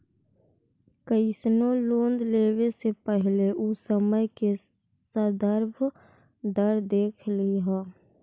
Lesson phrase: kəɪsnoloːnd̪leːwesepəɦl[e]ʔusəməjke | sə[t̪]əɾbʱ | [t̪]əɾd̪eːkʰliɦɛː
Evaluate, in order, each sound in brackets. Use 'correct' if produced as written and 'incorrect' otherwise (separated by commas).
correct, incorrect, incorrect